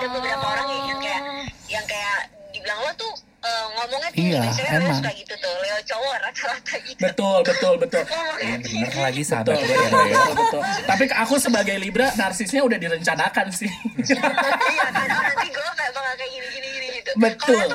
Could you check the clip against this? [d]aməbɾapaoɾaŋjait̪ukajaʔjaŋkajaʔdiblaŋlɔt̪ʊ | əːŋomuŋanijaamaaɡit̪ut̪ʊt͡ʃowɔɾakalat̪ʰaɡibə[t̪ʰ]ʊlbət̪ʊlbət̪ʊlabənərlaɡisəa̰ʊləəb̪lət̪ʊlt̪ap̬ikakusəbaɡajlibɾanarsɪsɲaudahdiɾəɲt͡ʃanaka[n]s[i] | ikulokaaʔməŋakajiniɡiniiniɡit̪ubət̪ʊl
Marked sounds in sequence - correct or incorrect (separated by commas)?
correct, incorrect, correct, incorrect